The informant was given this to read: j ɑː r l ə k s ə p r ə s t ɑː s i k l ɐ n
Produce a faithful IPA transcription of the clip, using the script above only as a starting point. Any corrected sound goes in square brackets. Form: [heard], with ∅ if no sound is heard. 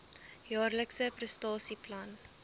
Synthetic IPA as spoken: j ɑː r l ə k s ə p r ə s t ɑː s i [p] l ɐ n